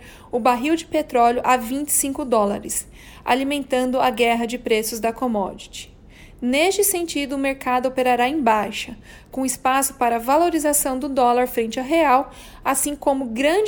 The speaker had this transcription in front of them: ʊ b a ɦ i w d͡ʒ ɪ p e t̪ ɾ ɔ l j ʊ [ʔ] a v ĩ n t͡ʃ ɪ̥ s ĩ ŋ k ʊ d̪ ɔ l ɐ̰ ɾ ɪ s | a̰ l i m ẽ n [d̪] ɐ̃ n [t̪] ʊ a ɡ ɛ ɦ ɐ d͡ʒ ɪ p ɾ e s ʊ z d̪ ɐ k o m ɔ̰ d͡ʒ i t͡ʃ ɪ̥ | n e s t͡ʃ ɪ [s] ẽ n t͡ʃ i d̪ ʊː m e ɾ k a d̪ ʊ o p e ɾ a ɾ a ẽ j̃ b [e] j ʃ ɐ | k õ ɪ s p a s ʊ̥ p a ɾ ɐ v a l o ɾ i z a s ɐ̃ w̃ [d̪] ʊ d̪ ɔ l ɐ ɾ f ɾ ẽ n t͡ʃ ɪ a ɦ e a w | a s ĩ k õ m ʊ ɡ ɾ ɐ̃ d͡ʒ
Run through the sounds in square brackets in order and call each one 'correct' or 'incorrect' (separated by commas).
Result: correct, incorrect, incorrect, correct, incorrect, correct